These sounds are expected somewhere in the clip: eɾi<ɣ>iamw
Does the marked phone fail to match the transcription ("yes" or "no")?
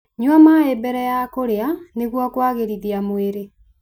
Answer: yes